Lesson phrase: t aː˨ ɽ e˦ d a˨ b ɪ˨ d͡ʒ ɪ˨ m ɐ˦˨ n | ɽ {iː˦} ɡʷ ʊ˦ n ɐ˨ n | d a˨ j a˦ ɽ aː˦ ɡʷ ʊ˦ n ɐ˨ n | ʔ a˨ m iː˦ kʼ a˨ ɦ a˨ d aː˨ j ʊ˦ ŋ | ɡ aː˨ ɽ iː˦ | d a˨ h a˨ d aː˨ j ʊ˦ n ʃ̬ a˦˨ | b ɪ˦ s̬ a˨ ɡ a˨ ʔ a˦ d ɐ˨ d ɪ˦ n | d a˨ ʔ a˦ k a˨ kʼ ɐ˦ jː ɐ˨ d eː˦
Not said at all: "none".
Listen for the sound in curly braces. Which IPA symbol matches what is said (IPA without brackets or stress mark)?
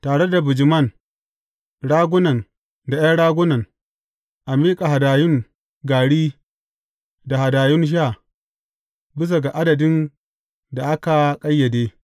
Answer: aː˦